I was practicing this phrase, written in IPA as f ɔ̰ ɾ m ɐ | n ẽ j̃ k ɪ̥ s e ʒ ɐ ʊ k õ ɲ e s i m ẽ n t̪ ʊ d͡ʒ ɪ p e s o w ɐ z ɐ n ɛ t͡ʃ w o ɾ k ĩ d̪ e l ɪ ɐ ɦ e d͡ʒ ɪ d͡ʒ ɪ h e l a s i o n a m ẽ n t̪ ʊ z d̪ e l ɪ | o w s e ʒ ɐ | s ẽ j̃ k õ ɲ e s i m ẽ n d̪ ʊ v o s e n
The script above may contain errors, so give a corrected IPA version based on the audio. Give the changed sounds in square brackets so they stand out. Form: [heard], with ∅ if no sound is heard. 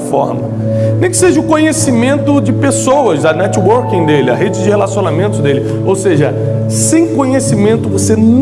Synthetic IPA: f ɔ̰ ɾ m ɐ | n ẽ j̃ k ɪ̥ s e ʒ ɐ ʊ k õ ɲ e s i m ẽ n t̪ ʊ d͡ʒ ɪ p e s o w ɐ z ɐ n ɛ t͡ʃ w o ɾ k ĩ d̪ e l ɪ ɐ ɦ e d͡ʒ ɪ d͡ʒ ɪ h e l a s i o n a m ẽ n t̪ ʊ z d̪ e l ɪ | o w s e ʒ ɐ | s ẽ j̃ k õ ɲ e s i m ẽ n [t̪] ʊ v o s e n